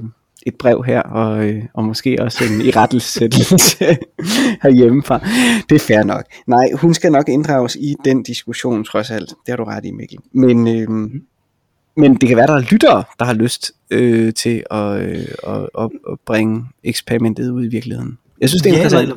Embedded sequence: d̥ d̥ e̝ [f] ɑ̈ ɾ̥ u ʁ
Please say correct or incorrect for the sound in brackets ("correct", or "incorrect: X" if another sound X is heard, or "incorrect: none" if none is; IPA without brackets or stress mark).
incorrect: h